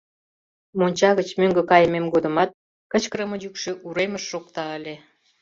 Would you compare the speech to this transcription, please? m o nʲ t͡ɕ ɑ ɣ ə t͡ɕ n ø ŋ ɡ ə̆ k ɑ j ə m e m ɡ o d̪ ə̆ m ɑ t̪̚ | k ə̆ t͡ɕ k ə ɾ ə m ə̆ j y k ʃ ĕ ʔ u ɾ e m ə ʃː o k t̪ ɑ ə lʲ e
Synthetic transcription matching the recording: m o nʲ t͡ɕ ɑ ɣ ə t͡ɕ m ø ŋ ɡ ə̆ k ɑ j ə m e m ɡ o d̪ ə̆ m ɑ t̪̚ | k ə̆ t͡ɕ k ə ɾ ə m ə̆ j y k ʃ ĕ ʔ u ɾ e m ə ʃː o k t̪ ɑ ə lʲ e